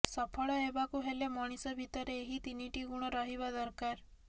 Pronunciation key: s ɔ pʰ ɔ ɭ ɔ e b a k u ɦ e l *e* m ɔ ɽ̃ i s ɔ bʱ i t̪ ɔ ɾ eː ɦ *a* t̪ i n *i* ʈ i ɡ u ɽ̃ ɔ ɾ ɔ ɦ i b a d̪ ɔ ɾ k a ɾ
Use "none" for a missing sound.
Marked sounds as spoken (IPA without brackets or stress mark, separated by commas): e, i, i